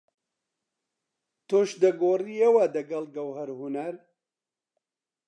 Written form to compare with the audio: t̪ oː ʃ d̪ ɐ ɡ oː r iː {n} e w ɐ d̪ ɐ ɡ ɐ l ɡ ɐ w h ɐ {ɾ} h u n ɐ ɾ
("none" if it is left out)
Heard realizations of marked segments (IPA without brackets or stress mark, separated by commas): none, ɾ